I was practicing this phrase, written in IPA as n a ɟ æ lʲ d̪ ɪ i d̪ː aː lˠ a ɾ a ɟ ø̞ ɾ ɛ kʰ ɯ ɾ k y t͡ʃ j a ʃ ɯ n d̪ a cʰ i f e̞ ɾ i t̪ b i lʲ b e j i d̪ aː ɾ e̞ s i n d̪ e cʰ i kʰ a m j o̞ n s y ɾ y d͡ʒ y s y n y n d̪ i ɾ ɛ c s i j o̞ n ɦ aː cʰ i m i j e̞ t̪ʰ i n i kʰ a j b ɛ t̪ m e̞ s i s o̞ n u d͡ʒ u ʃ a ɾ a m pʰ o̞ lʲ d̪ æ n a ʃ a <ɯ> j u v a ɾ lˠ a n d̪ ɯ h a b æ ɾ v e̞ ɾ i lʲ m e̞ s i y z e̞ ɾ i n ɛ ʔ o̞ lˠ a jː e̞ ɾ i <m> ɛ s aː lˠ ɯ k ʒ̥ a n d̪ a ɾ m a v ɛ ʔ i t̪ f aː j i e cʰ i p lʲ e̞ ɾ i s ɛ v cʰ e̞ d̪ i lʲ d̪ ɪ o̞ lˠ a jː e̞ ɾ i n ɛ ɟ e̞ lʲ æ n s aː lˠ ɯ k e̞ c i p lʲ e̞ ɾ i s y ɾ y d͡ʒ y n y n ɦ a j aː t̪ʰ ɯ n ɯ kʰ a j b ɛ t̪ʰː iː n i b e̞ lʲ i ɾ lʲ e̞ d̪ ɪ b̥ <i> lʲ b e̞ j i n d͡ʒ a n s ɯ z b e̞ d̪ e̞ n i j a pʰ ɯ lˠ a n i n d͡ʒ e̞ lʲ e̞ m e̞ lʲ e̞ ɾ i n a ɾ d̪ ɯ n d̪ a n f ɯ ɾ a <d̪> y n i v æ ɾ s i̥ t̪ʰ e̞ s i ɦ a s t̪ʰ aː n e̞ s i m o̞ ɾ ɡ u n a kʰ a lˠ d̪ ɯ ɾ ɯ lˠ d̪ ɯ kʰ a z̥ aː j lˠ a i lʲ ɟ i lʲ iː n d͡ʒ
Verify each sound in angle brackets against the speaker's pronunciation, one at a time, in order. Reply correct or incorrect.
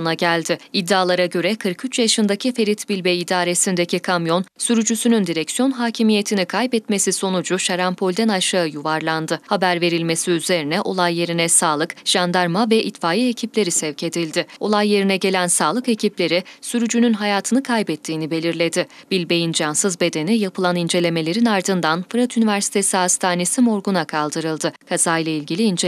correct, incorrect, correct, incorrect

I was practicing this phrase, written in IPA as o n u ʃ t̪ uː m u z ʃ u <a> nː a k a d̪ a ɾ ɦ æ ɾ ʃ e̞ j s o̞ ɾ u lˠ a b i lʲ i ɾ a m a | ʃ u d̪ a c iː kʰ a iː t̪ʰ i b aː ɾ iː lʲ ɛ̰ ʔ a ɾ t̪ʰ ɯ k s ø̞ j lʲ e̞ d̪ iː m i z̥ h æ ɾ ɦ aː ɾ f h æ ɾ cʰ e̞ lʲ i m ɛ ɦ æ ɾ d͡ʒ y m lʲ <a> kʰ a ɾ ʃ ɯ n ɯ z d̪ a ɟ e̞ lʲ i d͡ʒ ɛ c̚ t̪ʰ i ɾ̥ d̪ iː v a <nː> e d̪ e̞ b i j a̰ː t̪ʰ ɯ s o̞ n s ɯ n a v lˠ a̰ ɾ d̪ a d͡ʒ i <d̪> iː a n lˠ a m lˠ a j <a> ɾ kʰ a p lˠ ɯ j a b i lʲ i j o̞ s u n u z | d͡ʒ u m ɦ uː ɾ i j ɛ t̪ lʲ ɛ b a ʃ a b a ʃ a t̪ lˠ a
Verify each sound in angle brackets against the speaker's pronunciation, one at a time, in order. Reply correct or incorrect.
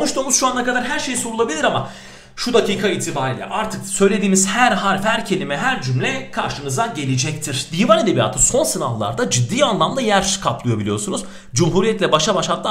correct, incorrect, incorrect, incorrect, incorrect

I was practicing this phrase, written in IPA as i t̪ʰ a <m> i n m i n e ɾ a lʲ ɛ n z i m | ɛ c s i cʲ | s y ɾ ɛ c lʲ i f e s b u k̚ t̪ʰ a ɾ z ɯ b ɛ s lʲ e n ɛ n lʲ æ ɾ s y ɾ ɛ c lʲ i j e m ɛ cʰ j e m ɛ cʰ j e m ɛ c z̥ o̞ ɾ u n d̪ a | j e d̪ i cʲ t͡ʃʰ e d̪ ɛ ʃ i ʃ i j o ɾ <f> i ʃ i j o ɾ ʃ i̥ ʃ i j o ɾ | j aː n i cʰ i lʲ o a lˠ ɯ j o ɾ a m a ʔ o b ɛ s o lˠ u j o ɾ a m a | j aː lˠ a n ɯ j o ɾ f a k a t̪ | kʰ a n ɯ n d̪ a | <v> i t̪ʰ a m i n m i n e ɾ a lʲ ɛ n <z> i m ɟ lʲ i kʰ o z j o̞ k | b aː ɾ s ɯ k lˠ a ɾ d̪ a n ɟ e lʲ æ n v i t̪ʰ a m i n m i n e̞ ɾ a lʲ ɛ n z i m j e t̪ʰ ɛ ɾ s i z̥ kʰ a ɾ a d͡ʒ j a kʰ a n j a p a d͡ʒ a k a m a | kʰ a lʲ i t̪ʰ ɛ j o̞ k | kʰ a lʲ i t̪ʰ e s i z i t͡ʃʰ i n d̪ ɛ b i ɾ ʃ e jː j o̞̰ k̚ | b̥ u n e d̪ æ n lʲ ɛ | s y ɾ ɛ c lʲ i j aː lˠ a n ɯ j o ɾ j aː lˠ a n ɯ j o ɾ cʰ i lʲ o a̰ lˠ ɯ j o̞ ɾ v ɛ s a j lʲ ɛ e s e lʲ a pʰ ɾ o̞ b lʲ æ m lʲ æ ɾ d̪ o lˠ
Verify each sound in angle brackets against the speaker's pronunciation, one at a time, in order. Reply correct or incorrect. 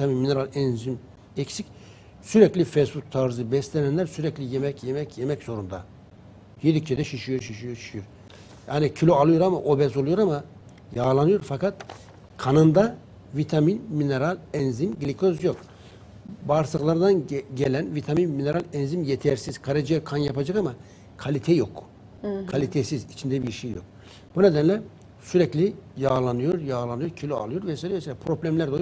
correct, incorrect, correct, correct

